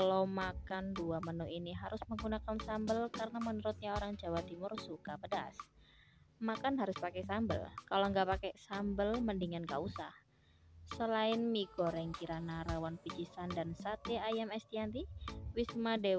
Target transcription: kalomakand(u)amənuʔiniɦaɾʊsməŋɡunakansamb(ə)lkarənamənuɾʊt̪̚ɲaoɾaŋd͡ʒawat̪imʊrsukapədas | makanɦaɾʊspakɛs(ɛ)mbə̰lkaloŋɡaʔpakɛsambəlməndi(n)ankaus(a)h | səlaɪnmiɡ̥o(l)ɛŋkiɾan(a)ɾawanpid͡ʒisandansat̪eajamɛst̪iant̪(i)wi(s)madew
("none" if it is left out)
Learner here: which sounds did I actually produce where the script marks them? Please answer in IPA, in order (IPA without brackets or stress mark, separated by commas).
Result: u, ə, a, ŋ, a, ɾ, a, i, s